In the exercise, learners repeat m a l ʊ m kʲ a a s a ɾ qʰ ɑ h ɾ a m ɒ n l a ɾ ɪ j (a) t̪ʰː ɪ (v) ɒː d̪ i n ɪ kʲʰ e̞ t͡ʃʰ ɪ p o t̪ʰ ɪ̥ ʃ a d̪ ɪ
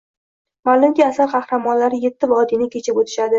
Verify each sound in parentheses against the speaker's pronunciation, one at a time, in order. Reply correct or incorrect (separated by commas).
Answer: incorrect, correct